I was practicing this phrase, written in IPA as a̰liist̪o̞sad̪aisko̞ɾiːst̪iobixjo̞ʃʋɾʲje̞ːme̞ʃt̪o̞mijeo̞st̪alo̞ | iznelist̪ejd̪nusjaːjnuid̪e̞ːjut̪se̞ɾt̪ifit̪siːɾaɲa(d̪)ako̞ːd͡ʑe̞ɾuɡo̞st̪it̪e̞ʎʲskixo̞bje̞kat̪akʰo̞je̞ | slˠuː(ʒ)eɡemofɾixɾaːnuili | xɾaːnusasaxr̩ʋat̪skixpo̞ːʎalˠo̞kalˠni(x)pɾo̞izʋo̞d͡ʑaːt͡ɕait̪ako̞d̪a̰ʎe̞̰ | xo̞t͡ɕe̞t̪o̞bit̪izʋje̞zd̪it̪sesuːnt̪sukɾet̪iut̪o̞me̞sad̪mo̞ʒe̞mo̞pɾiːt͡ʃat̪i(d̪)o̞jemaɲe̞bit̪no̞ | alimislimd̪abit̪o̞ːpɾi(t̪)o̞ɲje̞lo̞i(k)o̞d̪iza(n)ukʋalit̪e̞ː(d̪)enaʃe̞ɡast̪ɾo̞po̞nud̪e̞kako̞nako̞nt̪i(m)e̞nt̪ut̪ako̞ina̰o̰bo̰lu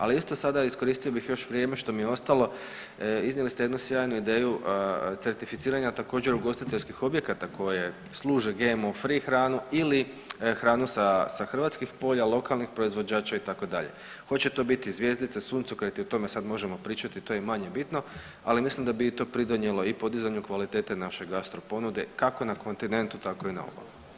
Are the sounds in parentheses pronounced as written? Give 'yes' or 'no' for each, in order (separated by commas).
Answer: no, yes, yes, no, no, no, no, no, no